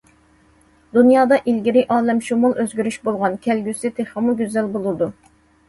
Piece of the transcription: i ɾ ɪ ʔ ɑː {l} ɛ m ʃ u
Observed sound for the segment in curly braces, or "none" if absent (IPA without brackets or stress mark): l